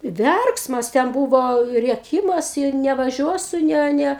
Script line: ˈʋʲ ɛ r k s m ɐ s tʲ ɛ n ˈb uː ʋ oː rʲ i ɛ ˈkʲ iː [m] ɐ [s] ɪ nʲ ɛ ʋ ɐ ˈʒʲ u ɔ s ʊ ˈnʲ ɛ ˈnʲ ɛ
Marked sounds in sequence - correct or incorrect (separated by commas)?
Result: correct, correct